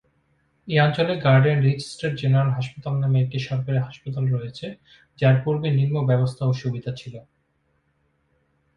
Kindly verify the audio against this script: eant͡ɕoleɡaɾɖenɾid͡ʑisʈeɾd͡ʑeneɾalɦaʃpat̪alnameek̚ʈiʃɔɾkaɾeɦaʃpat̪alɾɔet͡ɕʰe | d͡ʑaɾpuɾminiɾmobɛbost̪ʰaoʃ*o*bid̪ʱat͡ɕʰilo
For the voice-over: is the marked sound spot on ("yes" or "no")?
no